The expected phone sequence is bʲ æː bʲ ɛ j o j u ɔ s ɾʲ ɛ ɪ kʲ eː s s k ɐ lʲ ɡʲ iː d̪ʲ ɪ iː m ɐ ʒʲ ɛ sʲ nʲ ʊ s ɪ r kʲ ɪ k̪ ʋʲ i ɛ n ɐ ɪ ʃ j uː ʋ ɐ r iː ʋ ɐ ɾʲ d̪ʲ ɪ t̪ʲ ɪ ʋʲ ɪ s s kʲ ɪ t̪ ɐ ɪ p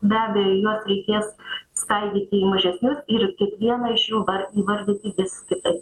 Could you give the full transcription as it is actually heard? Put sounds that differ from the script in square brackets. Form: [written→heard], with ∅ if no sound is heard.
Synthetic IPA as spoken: bʲ æː bʲ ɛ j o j u ɔ s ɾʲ ɛ ɪ kʲ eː s s k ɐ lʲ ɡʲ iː [d̪ʲ→t̪ʲ] ɪ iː m ɐ ʒʲ ɛ sʲ nʲ ʊ s ɪ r kʲ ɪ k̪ ʋʲ i ɛ n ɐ ɪ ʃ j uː ʋ ɐ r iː ʋ ɐ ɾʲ d̪ʲ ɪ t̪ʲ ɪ ʋʲ ɪ s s kʲ ɪ t̪ ɐ ɪ p

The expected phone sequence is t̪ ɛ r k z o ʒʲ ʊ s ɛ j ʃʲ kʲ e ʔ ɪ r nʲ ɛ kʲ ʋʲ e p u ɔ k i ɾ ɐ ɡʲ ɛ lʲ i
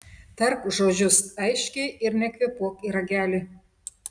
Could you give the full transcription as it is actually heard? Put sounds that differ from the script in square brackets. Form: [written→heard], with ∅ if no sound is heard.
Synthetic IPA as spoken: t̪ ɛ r k [z→ʒ] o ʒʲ ʊ s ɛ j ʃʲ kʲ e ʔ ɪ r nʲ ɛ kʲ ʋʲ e p u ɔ k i ɾ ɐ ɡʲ [ɛ→æ] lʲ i

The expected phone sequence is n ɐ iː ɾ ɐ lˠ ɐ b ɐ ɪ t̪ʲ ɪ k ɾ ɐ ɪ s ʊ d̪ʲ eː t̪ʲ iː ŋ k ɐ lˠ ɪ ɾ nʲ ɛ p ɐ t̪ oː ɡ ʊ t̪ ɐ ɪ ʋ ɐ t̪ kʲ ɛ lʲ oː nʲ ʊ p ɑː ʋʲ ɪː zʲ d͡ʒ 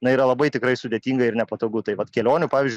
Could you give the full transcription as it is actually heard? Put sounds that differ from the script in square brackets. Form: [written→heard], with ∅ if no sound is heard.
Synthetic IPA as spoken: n ɐ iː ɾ ɐ lˠ ɐ b ɐ ɪ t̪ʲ ɪ k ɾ ɐ ɪ s ʊ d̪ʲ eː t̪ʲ iː ŋ [k→ɡ] ɐ [lˠ→∅] ɪ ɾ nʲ ɛ p ɐ t̪ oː ɡ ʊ t̪ ɐ ɪ ʋ ɐ t̪ kʲ ɛ lʲ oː nʲ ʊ p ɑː ʋʲ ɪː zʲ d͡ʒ

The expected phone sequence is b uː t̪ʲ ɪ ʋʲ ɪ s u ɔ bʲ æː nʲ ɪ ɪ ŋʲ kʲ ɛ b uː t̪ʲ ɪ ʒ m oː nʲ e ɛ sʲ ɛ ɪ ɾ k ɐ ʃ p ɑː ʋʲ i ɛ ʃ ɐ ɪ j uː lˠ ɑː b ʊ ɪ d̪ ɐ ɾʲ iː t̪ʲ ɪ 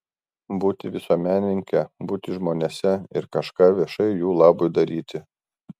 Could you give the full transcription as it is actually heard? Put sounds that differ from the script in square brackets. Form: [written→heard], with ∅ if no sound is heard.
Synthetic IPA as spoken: b uː t̪ʲ ɪ ʋʲ ɪ s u ɔ [bʲ→mʲ] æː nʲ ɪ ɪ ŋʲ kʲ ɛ b uː t̪ʲ ɪ ʒ m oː nʲ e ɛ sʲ ɛ ɪ ɾ k ɐ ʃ [p→k] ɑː ʋʲ i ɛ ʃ ɐ ɪ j uː lˠ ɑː b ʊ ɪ d̪ ɐ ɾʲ iː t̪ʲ ɪ

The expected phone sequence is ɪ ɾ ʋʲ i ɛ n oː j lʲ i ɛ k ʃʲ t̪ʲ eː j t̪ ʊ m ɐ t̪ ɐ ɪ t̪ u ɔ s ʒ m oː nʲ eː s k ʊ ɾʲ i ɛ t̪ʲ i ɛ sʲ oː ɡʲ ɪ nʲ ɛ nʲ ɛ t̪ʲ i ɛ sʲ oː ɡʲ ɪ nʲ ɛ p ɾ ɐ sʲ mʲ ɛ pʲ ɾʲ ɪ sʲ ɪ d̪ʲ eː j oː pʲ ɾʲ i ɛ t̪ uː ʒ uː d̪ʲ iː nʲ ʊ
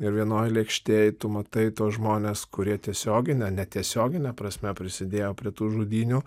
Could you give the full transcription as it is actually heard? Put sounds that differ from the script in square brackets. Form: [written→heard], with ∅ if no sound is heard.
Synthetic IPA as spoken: ɪ ɾ ʋʲ i ɛ n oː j lʲ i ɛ k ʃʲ t̪ʲ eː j t̪ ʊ m ɐ t̪ ɐ ɪ t̪ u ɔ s ʒ m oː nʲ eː s k ʊ ɾʲ i ɛ t̪ʲ i ɛ sʲ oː ɡʲ ɪ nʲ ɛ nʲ ɛ t̪ʲ i ɛ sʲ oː ɡʲ ɪ nʲ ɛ p ɾ ɐ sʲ mʲ ɛ pʲ ɾʲ ɪ sʲ ɪ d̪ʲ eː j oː pʲ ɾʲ i ɛ t̪ uː ʒ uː d̪ʲ iː nʲ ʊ

